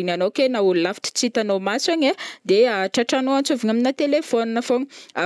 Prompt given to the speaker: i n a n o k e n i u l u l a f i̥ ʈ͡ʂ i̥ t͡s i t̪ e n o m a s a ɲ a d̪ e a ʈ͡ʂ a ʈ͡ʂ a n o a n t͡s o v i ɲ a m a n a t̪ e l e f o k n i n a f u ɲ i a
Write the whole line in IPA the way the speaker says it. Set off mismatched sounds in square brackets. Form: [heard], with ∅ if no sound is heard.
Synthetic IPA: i n a n o k e n [a] u l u l a f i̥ ʈ͡ʂ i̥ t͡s i t̪ [a] n o m a s a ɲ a d̪ e a ʈ͡ʂ a ʈ͡ʂ a n o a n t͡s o v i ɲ a m [i] n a t̪ e l e f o [∅] n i n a f [o] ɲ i a